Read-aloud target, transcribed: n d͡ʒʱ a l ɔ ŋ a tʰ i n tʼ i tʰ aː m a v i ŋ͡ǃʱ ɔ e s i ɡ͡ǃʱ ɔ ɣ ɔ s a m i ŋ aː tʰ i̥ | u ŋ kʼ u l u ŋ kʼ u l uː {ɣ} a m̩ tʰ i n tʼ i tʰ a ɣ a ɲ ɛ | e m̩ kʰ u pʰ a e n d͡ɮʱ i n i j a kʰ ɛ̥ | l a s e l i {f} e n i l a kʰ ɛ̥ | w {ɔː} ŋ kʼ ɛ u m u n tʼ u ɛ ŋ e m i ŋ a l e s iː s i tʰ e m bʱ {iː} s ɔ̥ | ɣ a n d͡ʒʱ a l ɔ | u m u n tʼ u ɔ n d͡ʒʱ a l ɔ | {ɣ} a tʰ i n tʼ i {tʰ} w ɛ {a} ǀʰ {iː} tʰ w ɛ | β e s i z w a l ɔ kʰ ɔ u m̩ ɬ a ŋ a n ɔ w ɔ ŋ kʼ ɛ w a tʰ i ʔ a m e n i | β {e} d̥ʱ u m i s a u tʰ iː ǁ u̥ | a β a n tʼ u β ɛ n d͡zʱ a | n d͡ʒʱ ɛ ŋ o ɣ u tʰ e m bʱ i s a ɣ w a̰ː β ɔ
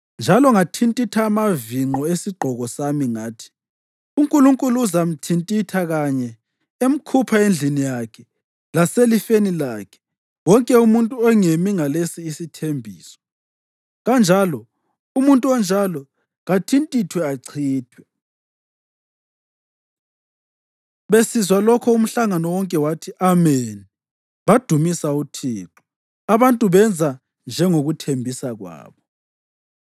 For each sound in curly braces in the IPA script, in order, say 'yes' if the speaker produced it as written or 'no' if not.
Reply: no, yes, no, yes, yes, yes, yes, yes, no

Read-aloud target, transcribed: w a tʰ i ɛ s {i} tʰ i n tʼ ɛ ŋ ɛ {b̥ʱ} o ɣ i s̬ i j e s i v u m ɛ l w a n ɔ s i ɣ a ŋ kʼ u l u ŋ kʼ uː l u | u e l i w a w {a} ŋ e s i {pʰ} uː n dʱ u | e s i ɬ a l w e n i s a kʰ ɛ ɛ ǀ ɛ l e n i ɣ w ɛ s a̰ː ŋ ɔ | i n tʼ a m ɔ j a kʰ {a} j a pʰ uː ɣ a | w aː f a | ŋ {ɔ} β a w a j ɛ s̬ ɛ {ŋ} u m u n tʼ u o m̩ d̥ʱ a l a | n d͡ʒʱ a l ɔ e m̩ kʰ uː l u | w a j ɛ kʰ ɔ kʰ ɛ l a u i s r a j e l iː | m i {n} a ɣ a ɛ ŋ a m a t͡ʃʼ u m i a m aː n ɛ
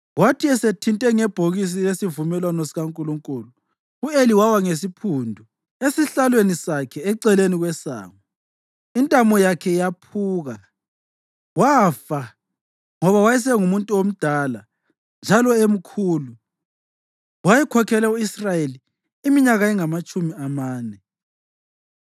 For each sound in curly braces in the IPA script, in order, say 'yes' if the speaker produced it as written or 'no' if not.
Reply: no, yes, yes, yes, no, yes, yes, no

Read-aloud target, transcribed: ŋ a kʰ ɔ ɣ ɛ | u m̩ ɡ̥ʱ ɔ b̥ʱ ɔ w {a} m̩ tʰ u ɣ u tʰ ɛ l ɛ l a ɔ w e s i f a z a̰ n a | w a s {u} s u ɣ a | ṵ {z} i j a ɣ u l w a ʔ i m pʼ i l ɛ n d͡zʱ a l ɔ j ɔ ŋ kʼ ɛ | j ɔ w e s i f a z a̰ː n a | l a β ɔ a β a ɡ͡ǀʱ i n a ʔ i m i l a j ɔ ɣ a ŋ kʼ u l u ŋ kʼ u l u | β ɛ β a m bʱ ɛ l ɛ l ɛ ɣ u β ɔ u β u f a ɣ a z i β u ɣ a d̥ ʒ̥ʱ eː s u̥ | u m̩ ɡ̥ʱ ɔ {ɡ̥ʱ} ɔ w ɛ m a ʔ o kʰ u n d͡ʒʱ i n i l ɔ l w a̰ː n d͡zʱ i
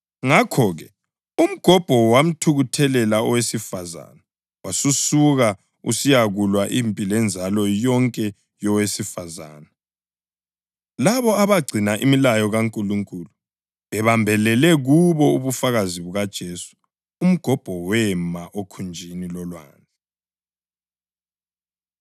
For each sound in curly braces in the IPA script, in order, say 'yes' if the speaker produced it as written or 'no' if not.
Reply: yes, yes, no, no

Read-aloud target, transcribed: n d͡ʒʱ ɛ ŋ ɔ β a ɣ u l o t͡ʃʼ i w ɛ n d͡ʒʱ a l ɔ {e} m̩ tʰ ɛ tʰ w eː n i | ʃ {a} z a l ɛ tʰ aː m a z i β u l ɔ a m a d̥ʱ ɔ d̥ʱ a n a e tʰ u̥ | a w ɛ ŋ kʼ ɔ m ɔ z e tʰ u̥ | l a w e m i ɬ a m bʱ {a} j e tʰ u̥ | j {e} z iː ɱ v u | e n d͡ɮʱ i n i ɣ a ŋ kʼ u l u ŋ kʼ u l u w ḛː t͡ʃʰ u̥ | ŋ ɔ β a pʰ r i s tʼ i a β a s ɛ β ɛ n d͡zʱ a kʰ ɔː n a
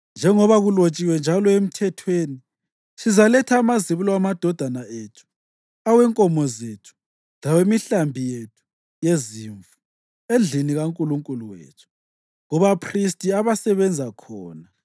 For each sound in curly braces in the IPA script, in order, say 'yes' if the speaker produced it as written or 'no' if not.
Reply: yes, no, no, yes

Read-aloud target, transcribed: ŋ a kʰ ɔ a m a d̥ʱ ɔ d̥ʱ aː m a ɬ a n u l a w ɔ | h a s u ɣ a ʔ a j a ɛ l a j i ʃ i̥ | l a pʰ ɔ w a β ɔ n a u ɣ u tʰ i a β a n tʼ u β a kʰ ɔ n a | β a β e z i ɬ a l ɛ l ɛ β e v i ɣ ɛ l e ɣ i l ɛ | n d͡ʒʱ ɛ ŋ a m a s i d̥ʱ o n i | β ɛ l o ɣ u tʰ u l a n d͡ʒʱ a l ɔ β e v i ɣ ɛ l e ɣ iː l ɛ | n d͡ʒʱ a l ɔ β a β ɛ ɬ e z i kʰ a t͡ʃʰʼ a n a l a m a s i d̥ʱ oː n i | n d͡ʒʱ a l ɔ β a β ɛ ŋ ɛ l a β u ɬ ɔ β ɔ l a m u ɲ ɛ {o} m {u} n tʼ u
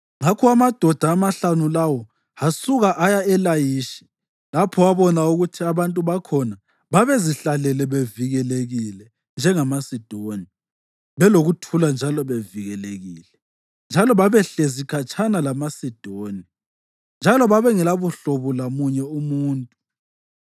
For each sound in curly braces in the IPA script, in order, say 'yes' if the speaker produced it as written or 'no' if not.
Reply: no, no

